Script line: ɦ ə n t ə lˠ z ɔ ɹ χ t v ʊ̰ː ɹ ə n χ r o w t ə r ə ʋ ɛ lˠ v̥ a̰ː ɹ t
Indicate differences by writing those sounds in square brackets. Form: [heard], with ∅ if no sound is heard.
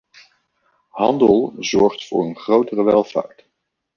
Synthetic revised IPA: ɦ [ɑ] n [d] ə lˠ z ɔ ɹ χ t [f] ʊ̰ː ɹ ə n χ r o w t ə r ə ʋ ɛ lˠ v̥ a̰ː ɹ t

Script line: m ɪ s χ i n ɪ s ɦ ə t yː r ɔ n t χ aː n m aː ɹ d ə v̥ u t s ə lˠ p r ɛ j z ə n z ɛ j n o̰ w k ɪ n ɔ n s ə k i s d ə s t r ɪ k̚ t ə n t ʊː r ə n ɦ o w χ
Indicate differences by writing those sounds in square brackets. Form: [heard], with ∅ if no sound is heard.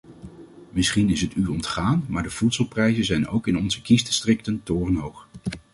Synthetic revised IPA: m ɪ s χ i n ɪ s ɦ ə t yː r ɔ n t χ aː n m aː ɹ d ə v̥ u t s ə lˠ p r ɛ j z ə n z ɛ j n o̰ w k ɪ n ɔ n [z] ə k i s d ə s t r ɪ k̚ t ə n t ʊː r ə n ɦ o w χ

